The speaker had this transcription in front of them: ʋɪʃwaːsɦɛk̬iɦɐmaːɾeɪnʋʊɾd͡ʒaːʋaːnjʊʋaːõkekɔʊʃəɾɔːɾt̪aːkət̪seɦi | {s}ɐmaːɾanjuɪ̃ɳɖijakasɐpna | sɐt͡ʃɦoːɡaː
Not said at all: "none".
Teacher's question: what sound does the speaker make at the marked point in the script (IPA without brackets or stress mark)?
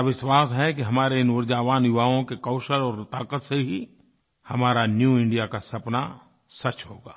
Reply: h